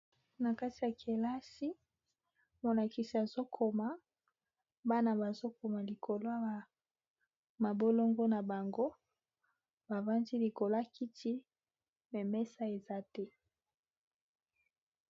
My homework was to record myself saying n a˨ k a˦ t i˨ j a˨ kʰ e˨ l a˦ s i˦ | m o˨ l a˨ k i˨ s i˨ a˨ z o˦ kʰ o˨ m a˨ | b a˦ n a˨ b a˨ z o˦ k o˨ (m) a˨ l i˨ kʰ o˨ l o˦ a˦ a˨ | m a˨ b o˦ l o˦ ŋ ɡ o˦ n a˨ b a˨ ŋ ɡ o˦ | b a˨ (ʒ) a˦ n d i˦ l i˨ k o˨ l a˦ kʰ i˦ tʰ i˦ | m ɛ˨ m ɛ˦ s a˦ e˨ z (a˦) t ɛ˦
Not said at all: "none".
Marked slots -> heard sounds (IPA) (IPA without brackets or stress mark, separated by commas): m, v, a˦